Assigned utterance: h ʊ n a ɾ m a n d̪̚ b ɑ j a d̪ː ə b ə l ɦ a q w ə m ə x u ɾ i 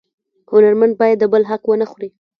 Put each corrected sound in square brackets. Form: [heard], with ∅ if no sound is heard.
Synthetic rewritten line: h ʊ n a ɾ m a n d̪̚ b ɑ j a d̪ː ə b ə l ɦ a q w ə [n] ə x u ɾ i